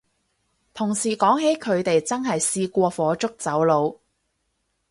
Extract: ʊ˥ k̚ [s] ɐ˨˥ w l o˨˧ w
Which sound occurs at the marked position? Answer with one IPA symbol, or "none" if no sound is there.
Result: t͡s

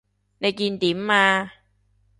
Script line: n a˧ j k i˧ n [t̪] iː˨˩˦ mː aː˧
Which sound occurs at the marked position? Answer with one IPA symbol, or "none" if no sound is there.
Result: t̪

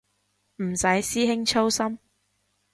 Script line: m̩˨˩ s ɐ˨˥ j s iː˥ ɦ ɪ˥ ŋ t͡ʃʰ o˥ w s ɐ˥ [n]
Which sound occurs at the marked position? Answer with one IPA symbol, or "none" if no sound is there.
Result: m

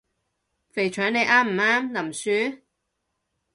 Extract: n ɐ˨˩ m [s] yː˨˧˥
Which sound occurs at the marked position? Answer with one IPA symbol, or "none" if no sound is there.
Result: s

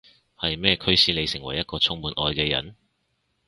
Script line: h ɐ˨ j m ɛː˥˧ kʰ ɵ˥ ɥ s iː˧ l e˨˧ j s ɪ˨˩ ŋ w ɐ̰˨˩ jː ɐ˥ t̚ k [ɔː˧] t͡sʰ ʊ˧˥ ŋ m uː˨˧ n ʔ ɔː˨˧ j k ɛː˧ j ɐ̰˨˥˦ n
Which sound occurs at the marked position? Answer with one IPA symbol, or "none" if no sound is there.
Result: ɔː˧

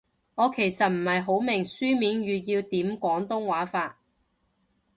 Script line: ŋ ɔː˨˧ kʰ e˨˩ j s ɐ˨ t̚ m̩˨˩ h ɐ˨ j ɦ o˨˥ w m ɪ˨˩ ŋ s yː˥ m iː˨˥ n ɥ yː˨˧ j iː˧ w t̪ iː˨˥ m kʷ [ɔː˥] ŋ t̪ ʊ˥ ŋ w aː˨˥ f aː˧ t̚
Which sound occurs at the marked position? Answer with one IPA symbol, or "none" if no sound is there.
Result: ɔː˨˥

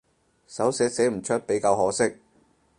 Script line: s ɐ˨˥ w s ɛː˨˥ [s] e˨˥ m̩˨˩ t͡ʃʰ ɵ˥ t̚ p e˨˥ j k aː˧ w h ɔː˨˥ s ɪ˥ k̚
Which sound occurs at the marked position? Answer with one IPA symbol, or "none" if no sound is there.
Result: s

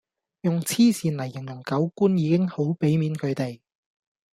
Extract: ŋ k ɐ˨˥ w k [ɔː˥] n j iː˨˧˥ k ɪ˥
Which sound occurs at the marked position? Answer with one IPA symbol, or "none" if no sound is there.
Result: uː˥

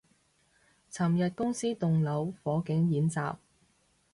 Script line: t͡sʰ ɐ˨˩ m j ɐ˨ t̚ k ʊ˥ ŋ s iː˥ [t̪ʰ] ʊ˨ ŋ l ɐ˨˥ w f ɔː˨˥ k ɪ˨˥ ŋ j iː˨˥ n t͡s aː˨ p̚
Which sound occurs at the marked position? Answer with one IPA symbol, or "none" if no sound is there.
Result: t̪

